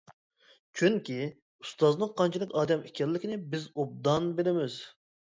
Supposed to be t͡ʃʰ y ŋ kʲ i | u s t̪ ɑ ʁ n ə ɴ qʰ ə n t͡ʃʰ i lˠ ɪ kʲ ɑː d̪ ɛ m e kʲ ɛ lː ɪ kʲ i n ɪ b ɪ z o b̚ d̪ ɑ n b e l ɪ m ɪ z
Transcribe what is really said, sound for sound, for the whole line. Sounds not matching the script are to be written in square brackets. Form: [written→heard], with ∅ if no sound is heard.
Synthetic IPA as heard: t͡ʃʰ y ŋ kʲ i | u s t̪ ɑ [ʁ→z] n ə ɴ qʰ [ə→ɑ] n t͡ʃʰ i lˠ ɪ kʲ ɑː d̪ ɛ m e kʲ ɛ lː ɪ kʲ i n ɪ b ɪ z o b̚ d̪ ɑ n b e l ɪ m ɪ z